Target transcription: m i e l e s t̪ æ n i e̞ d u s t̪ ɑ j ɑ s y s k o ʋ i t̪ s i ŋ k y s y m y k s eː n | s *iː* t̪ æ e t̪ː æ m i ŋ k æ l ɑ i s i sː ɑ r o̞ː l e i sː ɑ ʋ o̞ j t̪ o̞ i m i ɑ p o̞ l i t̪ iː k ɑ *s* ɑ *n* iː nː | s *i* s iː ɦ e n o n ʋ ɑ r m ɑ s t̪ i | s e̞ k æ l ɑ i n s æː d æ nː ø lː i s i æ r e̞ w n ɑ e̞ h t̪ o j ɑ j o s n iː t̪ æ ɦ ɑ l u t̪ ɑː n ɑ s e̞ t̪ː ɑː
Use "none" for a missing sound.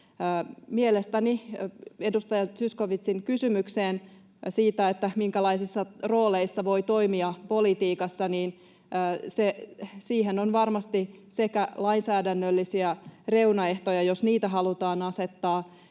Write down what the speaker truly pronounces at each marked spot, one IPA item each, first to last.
iː, sː, n, e

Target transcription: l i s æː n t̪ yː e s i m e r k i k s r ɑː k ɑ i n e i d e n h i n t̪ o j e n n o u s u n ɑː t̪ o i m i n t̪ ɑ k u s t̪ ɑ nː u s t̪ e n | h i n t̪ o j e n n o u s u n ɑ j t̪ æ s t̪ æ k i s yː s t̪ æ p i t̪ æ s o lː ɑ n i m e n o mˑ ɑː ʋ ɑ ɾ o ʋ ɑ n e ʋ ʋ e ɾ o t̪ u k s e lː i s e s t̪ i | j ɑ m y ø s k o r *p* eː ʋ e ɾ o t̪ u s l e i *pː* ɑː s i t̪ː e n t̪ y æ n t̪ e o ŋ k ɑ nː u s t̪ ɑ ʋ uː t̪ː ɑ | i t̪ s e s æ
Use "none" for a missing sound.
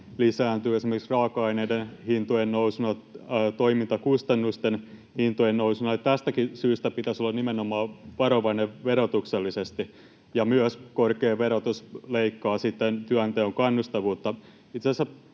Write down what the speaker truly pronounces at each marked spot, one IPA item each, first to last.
k, kː

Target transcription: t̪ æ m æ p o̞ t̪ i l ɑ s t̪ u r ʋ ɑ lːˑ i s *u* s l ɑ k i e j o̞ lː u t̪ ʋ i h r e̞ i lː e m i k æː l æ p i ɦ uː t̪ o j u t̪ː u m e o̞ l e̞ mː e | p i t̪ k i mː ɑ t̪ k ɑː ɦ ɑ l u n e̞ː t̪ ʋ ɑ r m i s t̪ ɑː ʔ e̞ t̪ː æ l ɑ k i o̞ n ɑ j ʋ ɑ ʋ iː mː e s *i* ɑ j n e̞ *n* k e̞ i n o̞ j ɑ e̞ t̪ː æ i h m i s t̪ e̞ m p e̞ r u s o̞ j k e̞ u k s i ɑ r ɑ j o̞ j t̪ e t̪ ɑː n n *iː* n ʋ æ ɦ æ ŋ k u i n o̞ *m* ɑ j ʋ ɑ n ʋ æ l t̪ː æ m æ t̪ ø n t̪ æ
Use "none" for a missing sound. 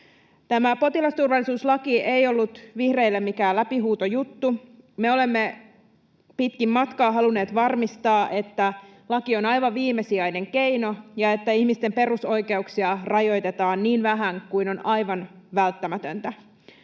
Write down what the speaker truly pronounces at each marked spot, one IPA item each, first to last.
uː, i, ŋ, iː, n

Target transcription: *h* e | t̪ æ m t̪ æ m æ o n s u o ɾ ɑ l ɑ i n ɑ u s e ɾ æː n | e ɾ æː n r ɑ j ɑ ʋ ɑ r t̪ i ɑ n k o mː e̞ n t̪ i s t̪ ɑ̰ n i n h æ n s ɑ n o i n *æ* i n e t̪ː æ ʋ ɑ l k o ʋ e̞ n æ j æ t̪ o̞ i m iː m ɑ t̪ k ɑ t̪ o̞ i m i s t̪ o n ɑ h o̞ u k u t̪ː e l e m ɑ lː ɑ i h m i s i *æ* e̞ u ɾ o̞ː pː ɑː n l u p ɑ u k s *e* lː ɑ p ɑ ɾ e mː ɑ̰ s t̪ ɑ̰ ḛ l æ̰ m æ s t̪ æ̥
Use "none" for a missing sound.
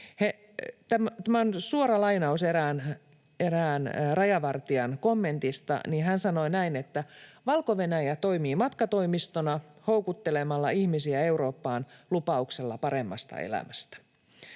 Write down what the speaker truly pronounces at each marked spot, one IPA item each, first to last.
h, æ, æ, e

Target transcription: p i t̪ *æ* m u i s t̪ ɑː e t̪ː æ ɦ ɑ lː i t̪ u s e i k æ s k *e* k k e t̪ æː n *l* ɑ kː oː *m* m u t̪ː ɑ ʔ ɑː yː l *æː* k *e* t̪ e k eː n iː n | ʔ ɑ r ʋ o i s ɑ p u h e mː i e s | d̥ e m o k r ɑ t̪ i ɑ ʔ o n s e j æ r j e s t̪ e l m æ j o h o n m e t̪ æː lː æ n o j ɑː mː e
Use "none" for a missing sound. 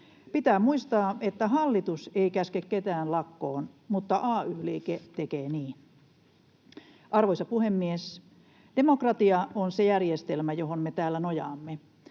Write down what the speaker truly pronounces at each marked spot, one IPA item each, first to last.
æː, e, l, n, iː, e

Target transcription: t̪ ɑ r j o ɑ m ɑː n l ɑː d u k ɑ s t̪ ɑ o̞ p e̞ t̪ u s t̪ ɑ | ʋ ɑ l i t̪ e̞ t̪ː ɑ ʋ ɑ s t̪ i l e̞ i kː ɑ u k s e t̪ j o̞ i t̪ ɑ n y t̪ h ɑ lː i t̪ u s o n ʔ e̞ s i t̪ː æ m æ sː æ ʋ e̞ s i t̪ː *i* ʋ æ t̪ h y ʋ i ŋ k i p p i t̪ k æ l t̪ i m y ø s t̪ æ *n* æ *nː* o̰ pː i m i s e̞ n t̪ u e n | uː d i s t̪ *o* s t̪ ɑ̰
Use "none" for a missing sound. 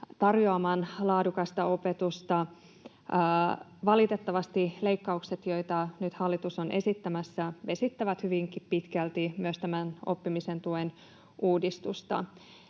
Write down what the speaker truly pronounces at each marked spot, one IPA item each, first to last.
æ, m, n, u

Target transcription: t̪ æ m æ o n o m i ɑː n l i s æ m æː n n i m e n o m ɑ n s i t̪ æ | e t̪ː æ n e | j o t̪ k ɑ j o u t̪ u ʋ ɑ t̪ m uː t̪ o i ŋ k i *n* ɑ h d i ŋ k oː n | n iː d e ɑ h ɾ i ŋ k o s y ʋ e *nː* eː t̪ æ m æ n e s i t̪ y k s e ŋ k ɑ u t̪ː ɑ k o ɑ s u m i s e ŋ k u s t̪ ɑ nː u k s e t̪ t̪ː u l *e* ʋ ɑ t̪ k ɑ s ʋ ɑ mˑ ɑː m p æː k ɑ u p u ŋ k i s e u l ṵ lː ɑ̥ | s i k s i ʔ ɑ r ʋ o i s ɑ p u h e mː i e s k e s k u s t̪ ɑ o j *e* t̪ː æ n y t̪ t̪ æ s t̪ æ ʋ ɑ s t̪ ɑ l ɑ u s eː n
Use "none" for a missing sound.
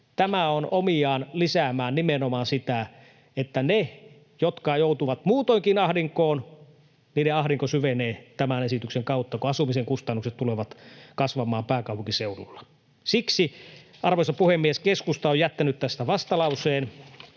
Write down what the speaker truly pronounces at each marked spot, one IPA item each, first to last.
n, n, e, æ

